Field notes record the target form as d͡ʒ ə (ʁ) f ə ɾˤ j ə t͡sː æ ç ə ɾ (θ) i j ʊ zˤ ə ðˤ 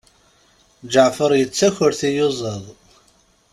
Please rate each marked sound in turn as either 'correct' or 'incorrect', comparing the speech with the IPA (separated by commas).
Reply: incorrect, correct